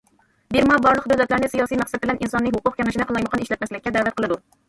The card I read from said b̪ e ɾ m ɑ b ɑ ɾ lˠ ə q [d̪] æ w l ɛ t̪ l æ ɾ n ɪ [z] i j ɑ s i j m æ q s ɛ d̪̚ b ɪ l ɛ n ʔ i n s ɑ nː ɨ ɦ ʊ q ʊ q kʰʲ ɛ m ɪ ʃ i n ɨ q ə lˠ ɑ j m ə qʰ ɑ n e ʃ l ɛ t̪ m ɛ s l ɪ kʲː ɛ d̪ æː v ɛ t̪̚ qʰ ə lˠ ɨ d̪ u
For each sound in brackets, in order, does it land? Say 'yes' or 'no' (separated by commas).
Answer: yes, no